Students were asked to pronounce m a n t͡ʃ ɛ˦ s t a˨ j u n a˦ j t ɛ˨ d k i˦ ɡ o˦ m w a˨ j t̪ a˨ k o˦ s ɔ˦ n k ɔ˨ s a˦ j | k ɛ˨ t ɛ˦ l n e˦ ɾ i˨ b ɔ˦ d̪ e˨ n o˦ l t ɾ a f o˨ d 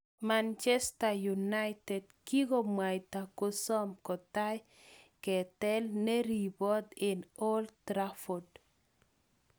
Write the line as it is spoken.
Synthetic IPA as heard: m a n t͡ʃ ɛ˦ s t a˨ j u n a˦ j t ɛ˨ d k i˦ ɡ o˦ m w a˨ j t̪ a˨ k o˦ s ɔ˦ m k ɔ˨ t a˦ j | k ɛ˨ t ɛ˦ l n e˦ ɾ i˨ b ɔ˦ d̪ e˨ n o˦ l t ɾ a f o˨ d

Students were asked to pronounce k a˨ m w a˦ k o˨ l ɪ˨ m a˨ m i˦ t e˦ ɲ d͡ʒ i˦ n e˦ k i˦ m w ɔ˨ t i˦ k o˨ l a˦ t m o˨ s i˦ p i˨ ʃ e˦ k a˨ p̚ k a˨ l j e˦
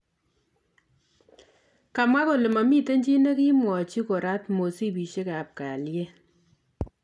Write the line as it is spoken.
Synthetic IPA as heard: k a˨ m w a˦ k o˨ l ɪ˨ m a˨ m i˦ t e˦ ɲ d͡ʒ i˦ n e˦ k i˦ m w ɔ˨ t͡ʃ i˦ k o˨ ɾ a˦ t m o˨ s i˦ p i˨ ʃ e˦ k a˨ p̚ k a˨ l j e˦

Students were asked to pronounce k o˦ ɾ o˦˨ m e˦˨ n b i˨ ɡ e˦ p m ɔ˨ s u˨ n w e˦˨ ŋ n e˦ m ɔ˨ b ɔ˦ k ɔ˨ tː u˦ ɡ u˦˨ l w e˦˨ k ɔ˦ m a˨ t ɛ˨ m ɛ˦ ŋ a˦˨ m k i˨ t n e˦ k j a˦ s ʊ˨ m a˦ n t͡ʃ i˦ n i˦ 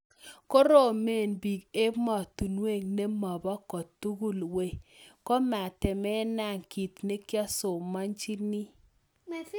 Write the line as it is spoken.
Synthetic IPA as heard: k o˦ ɾ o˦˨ m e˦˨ n b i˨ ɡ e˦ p m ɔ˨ t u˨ n w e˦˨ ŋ n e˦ m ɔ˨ b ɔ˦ k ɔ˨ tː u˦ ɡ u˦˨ l w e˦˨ k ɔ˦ m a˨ t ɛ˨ m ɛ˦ n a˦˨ ŋ k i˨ t n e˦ k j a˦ s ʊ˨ m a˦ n t͡ʃ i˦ n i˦

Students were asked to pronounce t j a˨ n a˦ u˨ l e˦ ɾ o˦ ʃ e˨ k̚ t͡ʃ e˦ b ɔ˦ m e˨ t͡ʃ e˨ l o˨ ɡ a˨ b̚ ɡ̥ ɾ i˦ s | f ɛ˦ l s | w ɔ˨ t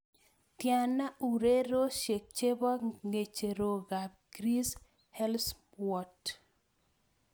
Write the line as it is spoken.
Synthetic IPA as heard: t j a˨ n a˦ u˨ ɾ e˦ ɾ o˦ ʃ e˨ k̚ t͡ʃ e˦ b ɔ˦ ŋ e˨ t͡ʃ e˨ ɾ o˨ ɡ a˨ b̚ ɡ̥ ɾ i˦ s | h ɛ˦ l s | w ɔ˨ t

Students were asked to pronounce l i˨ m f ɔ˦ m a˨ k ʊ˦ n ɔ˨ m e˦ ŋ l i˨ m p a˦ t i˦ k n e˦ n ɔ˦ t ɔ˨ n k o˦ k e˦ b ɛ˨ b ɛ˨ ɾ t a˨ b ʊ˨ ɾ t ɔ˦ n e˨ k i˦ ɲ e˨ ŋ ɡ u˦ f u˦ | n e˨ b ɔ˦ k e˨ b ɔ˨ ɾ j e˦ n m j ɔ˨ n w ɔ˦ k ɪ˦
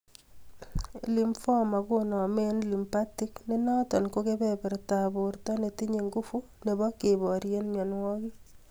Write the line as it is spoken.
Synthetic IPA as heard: l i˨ m f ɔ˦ m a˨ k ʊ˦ n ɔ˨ m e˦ n l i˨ m p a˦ t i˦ k n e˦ n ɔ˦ t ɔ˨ n k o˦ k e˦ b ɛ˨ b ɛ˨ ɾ t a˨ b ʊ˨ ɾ t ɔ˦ n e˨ t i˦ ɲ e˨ ŋ ɡ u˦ f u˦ | n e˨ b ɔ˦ k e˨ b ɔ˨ ɾ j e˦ n m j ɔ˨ n w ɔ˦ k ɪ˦

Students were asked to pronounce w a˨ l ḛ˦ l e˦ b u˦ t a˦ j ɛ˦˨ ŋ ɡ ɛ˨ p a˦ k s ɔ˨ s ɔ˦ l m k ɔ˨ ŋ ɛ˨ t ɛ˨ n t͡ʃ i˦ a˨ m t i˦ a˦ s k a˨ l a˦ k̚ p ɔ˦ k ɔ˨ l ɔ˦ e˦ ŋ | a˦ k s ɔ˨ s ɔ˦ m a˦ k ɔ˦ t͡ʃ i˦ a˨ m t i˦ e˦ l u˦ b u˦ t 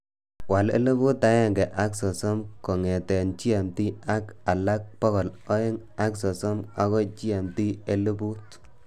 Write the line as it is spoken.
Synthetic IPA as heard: w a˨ l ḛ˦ l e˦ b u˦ t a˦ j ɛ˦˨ ŋ ɡ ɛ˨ ʔ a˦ k s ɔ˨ s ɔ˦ m k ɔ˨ ŋ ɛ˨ t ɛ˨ n t͡ʃ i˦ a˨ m t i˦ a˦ k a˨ l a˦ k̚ p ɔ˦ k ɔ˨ l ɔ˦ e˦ ŋ | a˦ k s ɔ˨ s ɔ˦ m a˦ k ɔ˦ t͡ʃ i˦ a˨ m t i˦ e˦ l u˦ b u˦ t

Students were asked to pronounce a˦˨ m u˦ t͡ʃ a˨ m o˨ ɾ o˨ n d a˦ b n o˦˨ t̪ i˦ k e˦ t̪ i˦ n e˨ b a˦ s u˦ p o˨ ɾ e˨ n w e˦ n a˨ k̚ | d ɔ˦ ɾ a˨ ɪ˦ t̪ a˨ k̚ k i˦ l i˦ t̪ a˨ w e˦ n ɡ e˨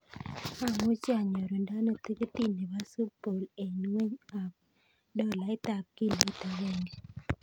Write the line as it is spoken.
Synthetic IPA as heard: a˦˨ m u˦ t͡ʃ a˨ ɲ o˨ ɾ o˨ n d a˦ n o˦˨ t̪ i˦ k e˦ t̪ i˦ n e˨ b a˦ s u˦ p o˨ l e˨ n w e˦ ɲ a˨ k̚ | d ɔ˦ l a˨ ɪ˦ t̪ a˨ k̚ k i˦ l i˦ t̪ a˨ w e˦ ŋ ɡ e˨

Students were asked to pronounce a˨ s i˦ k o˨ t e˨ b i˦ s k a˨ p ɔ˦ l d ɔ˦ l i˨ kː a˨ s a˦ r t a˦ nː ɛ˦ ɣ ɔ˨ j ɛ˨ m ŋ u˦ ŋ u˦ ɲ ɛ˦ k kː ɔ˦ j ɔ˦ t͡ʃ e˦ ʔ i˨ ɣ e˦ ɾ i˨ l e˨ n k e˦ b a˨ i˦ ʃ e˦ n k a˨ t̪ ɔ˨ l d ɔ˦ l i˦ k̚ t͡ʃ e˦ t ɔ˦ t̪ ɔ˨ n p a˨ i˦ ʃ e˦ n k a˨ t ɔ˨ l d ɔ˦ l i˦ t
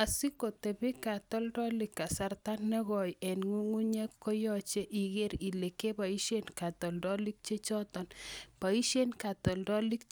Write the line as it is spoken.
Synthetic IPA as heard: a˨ s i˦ k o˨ t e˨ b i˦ k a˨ t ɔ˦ l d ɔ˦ l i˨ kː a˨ s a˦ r t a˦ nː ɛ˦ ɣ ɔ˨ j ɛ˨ n ŋ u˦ ŋ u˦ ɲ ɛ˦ k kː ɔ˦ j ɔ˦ t͡ʃ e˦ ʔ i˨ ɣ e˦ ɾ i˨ l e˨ k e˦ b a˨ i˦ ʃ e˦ n k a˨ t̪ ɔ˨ l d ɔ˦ l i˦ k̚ t͡ʃ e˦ t͡ʃ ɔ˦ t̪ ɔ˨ n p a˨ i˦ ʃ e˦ n k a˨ t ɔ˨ l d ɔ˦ l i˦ k

